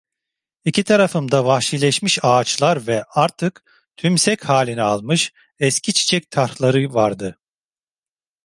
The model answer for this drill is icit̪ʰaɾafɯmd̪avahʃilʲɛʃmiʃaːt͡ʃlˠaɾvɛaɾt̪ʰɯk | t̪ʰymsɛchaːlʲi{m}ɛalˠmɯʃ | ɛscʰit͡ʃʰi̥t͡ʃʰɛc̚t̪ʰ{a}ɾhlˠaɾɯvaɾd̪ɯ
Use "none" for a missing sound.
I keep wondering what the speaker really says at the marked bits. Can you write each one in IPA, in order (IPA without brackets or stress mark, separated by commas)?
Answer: n, a